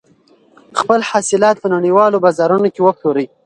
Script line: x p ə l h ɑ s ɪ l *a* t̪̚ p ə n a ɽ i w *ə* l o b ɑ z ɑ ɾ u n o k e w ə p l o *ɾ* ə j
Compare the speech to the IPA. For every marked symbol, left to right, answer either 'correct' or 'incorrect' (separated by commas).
incorrect, incorrect, correct